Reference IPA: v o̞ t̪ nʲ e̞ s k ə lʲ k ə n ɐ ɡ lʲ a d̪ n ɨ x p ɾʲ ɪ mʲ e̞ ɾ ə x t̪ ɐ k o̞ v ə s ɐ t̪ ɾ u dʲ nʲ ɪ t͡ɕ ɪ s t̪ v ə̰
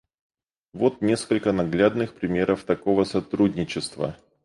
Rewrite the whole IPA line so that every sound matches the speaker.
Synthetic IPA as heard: v o̞ t̪ nʲ e̞ s k ə lʲ k ə n ɐ ɡ lʲ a d̪ n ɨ x p ɾʲ ɪ mʲ e̞ ɾ ə f t̪ ɐ k o̞ v ə s ɐ t̪ ɾ u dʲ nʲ ɪ t͡ɕ ɪ s t̪ v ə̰